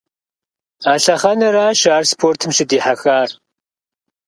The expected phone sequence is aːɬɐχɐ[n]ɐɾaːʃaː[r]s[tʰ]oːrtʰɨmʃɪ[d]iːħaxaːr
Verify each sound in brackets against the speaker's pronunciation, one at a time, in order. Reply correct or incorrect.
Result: correct, correct, incorrect: pʰ, correct

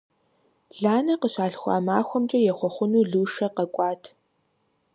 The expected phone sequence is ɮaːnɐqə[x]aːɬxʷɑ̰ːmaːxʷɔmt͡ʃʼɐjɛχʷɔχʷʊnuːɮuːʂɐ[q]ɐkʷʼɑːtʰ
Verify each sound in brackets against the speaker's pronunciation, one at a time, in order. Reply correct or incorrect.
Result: incorrect: ɕ, correct

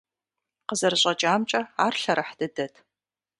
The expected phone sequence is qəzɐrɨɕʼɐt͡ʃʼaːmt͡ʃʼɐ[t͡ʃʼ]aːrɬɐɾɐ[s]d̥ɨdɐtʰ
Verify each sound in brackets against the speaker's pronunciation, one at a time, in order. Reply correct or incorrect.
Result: incorrect: none, incorrect: ħ

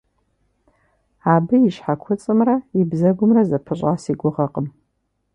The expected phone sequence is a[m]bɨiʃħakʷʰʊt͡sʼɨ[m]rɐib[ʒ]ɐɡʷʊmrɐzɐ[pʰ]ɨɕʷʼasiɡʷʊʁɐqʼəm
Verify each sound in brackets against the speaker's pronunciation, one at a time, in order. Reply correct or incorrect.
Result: incorrect: none, correct, incorrect: z, correct

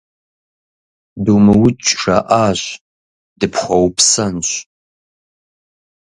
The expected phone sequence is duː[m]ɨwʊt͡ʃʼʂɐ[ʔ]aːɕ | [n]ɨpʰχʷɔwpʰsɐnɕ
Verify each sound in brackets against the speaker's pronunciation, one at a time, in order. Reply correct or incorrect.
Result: correct, correct, incorrect: d

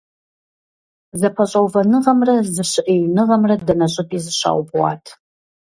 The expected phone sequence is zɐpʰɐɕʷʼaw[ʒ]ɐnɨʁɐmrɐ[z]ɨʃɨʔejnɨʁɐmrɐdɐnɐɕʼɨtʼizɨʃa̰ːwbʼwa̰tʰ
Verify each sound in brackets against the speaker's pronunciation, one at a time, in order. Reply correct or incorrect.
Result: incorrect: v, correct

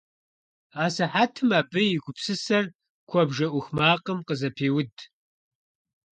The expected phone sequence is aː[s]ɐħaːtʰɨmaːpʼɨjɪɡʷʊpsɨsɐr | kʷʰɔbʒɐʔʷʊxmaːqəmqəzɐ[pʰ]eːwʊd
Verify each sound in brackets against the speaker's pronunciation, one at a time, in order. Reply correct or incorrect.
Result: correct, correct

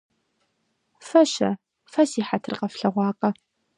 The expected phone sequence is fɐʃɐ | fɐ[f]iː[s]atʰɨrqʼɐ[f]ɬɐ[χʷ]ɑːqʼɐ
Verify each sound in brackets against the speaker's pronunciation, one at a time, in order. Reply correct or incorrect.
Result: incorrect: s, incorrect: ħ, correct, incorrect: ʁʷ

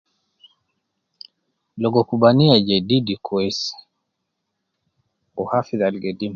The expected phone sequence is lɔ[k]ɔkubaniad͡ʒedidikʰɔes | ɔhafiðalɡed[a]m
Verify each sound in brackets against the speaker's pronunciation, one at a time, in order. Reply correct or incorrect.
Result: incorrect: ɡ, incorrect: i

